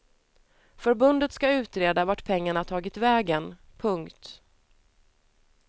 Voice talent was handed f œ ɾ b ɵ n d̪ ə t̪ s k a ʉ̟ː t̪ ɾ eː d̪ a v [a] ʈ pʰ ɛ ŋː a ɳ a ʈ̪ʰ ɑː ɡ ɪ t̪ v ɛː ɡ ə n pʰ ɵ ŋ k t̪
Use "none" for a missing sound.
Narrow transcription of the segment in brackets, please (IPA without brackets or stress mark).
a